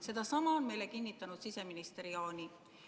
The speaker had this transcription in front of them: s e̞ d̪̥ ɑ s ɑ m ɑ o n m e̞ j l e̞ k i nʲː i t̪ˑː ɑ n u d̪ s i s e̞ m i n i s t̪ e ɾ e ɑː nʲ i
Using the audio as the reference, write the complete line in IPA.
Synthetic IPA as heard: s e̞ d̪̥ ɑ s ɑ m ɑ o n m e̞ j l e̞ k i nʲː i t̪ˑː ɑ n u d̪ s i s e̞ m i n i s t̪ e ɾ i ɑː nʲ i